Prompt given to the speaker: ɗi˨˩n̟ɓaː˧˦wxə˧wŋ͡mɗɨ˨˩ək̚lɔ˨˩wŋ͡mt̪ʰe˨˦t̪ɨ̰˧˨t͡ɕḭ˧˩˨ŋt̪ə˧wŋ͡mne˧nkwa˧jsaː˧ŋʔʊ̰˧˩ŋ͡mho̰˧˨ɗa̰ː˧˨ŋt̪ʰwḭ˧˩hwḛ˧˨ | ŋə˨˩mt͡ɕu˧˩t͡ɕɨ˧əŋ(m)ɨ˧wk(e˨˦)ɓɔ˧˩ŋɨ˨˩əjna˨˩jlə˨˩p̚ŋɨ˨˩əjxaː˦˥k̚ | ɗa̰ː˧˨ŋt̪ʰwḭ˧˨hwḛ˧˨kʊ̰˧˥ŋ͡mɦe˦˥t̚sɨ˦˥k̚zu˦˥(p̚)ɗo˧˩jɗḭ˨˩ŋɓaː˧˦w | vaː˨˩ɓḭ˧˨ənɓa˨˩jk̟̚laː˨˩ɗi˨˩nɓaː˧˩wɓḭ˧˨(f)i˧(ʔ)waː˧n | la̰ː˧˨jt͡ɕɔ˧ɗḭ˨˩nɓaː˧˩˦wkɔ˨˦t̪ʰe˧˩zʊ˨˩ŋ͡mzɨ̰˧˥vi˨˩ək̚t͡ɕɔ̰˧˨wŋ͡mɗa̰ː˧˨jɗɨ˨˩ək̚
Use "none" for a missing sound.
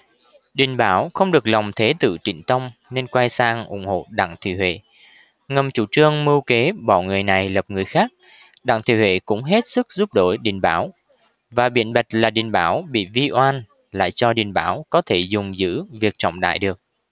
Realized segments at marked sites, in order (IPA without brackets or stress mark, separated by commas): m, e˨˦, p̚, v, ʔ